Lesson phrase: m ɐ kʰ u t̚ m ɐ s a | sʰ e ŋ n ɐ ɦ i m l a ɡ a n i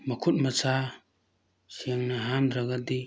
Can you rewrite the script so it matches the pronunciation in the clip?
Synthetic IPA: m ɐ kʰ u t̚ m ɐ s a | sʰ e ŋ n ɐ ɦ a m ɾ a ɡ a d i